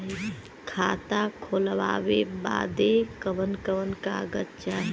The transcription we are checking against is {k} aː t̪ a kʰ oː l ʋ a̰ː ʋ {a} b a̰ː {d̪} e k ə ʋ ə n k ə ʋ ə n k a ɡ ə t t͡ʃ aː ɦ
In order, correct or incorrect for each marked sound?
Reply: incorrect: kʰ, incorrect: e, correct

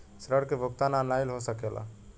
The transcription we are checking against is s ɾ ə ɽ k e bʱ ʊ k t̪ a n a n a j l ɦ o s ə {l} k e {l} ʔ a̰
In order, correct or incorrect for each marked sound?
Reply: incorrect: none, correct

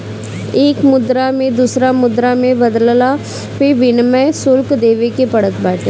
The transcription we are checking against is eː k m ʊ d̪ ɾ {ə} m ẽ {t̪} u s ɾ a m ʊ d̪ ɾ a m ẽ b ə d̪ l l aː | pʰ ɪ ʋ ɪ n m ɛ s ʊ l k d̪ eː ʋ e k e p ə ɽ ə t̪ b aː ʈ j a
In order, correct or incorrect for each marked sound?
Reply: incorrect: a, incorrect: d̪

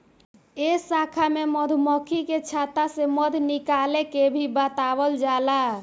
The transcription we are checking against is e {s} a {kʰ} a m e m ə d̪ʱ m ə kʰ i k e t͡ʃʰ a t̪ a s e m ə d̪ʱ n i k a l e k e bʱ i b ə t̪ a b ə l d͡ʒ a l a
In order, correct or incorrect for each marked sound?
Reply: correct, correct

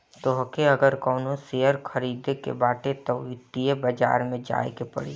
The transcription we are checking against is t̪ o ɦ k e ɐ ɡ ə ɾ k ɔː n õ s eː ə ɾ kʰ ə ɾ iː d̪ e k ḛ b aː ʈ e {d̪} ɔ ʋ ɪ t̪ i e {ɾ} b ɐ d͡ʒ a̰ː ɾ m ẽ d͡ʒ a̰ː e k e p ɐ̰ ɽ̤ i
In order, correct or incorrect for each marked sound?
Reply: incorrect: t̪, incorrect: none

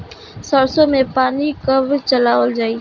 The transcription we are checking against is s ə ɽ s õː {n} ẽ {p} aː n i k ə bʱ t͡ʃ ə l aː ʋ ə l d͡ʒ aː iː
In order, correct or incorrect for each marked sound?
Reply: incorrect: m, correct

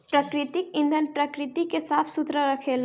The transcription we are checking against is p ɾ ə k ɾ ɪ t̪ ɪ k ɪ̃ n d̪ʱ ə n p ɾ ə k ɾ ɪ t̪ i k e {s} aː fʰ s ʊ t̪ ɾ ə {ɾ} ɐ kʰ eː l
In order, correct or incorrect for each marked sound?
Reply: correct, correct

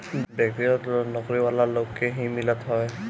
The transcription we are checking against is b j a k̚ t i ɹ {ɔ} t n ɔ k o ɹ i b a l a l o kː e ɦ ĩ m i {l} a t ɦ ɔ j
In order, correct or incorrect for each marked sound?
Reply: correct, correct

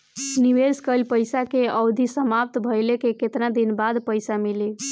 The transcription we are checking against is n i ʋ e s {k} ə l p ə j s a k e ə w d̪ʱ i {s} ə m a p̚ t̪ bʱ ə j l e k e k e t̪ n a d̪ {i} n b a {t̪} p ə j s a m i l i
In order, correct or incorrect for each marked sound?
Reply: correct, correct, correct, incorrect: d̪

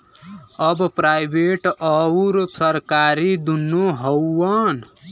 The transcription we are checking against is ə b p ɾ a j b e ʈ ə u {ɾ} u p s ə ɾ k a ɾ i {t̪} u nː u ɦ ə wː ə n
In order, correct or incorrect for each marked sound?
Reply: correct, incorrect: d̪

